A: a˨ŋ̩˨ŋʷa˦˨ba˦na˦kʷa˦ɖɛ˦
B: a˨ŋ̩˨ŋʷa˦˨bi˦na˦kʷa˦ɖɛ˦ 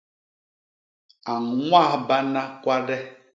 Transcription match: A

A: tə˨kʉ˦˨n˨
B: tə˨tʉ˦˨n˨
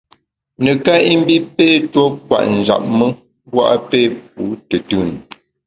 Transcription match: B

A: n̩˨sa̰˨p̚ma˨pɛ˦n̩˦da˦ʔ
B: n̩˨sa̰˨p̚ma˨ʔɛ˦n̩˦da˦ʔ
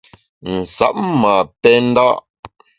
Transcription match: A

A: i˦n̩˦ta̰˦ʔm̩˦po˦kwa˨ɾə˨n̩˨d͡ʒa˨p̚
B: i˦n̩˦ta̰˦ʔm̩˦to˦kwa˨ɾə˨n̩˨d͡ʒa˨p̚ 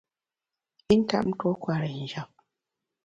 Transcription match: B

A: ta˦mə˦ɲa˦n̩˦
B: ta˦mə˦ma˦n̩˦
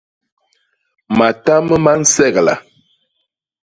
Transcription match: B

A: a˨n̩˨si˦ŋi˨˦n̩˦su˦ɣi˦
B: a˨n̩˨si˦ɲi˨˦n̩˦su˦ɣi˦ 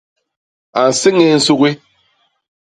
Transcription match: A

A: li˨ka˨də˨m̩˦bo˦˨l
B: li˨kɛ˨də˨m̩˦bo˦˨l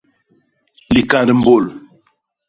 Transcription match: A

